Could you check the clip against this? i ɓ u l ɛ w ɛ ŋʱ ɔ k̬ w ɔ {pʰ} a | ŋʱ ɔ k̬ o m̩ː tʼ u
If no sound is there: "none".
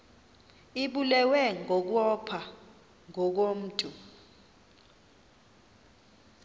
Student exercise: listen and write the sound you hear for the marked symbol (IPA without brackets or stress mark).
pʰ